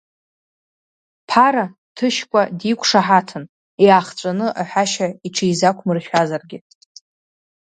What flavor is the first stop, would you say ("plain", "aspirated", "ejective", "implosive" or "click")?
aspirated